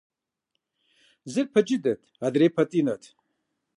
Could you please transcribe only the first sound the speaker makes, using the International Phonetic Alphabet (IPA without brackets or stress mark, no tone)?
z